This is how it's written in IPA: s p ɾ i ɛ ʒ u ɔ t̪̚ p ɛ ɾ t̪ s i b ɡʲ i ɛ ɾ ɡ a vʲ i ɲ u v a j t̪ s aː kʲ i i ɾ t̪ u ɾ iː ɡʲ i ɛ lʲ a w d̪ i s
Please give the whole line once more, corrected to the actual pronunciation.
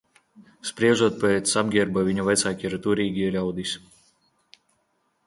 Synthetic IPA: s p ɾ i ɛ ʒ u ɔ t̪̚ p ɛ t̪ s a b ɡʲ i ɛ ɾ b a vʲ i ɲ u v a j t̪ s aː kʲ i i ɾ t̪ u ɾ iː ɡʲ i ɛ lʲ a w d̪ i s